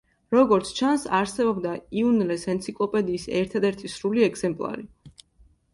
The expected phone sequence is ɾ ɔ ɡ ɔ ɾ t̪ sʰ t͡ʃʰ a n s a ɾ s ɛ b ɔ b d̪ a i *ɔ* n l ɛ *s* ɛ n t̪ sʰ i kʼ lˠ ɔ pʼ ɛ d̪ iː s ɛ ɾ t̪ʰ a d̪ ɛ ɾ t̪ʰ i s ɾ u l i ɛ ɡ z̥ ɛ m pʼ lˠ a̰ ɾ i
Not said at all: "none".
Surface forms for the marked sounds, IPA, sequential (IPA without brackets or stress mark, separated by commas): u, s